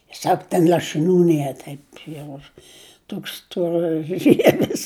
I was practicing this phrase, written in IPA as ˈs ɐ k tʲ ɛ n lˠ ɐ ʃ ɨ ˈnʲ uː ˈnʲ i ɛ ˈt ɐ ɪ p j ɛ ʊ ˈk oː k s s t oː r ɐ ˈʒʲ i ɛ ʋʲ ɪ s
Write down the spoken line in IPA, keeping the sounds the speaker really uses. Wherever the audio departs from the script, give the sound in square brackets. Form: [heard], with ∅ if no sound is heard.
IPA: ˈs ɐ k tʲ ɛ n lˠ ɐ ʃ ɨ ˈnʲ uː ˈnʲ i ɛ ˈt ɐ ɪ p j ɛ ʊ [ˈt] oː k s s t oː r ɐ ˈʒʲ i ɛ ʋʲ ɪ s